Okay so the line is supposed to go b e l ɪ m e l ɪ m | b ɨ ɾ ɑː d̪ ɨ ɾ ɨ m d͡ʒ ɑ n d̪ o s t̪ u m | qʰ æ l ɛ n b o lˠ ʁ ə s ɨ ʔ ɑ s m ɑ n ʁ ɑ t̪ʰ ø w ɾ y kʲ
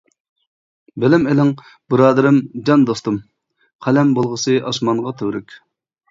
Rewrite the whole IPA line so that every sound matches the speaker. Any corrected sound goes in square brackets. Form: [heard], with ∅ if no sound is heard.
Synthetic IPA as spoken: b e l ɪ m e l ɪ [ŋ] | b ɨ ɾ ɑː d̪ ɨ ɾ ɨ m d͡ʒ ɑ n d̪ o s t̪ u m | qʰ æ l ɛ [m] b o lˠ ʁ ə s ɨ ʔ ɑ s m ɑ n ʁ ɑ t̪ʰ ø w ɾ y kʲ